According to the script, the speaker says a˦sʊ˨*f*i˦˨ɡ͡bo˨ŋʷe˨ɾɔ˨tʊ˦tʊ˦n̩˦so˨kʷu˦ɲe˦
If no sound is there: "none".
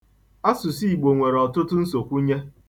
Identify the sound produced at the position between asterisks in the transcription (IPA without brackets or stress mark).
s